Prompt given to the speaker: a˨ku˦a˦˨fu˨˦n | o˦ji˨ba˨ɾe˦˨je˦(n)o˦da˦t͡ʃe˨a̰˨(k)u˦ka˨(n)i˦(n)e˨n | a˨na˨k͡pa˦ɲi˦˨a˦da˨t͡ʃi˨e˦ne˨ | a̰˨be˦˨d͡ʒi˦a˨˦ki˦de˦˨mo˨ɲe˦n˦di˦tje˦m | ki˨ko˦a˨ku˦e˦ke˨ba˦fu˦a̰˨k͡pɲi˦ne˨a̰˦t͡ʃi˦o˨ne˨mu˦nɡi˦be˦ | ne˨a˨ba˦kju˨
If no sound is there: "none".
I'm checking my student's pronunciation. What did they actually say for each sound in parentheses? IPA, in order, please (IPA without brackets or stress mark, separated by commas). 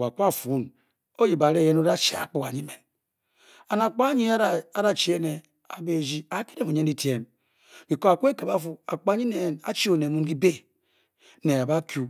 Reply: n, k͡p, ɲ, m